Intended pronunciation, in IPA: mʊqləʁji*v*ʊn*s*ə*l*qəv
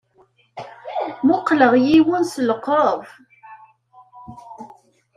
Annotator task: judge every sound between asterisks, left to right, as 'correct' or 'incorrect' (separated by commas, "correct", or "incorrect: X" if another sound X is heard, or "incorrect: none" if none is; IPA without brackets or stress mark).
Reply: incorrect: w, correct, correct